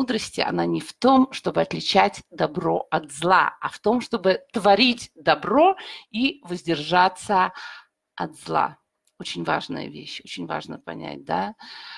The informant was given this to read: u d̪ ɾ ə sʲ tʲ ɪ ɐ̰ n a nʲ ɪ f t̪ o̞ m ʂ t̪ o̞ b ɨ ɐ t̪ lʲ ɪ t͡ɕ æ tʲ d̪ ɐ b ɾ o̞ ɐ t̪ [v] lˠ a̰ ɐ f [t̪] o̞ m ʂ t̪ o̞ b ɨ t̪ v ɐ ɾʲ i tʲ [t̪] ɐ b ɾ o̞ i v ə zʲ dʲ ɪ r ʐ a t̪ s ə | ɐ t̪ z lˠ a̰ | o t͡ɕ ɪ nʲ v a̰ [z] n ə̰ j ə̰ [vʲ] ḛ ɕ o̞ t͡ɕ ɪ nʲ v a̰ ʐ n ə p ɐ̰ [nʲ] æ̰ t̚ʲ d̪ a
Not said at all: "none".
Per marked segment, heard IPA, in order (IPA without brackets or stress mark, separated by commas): z, t̪, d̪, ʐ, vʲ, nʲ